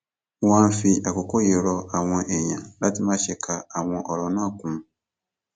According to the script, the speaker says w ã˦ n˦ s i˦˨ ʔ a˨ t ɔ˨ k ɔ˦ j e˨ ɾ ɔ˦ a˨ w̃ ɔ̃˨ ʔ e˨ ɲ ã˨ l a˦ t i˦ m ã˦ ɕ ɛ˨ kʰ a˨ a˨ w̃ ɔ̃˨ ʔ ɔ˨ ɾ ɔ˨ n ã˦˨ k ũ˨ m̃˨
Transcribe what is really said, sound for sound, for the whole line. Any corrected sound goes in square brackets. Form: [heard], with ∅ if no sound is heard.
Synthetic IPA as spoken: w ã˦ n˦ [f] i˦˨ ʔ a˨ [k] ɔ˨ k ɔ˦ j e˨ ɾ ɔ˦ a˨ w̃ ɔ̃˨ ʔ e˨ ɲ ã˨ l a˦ t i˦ m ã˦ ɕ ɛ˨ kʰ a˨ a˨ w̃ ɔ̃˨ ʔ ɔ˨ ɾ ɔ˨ n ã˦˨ k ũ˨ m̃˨